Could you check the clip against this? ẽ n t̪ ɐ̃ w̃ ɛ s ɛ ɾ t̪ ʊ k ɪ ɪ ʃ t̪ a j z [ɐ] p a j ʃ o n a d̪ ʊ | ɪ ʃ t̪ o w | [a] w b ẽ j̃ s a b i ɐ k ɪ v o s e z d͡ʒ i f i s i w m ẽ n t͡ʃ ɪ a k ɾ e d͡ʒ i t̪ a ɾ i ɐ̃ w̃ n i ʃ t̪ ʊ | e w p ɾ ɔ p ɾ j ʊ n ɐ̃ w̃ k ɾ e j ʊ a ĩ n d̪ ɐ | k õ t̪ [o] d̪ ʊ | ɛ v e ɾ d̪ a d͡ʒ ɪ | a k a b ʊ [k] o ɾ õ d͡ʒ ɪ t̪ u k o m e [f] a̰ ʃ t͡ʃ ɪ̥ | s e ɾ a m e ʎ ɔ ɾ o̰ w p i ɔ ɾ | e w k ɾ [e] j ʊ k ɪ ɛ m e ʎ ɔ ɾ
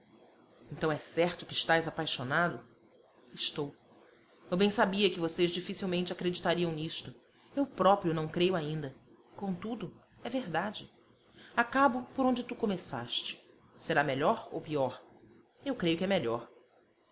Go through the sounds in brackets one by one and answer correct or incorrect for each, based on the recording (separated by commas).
incorrect, incorrect, incorrect, incorrect, incorrect, correct